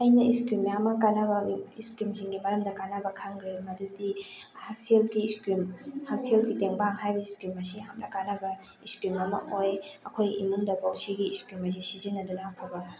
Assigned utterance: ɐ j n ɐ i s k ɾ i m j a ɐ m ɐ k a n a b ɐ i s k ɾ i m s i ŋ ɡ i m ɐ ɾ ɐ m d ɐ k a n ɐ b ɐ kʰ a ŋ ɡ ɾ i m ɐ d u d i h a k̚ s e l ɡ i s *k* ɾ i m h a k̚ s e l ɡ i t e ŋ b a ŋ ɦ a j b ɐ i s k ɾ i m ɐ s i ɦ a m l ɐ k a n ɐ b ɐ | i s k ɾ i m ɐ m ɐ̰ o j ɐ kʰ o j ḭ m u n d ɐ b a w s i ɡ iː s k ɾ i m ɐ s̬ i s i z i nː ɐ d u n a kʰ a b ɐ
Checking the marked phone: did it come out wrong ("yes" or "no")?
no